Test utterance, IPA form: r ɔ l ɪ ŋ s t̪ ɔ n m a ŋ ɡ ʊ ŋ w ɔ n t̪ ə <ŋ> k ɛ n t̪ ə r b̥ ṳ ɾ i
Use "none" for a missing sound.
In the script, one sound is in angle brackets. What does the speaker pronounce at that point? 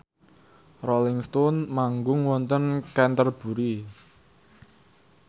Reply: n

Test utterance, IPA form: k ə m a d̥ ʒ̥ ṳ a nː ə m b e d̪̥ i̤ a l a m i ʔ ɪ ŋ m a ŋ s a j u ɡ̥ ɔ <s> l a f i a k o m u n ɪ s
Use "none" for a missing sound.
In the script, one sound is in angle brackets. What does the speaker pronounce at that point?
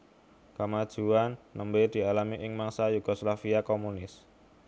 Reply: s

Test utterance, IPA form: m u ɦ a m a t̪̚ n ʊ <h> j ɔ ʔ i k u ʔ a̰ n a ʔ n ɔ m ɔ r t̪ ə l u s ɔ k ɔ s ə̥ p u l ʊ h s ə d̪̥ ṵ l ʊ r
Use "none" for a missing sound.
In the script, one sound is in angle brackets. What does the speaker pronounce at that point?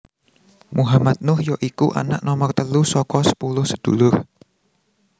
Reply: h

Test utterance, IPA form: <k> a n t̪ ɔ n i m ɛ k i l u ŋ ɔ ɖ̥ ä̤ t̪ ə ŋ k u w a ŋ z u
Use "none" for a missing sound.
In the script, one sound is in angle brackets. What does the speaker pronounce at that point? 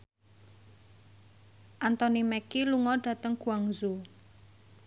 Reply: ʔ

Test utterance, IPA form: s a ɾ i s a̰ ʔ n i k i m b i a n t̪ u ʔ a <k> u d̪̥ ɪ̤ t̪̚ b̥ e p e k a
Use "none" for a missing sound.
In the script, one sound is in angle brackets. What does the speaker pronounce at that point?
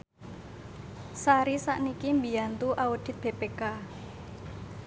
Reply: none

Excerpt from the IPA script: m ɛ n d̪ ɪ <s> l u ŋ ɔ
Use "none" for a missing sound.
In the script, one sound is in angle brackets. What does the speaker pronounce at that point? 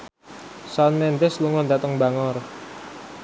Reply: s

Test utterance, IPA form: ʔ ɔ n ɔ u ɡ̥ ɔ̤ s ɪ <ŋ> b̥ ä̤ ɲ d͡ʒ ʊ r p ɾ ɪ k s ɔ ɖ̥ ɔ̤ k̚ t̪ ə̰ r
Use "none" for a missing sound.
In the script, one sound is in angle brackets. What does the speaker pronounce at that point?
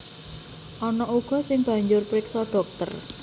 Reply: ŋ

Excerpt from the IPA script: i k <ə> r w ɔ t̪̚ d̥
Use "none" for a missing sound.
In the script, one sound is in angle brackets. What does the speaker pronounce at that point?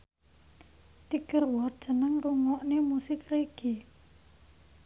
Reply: ə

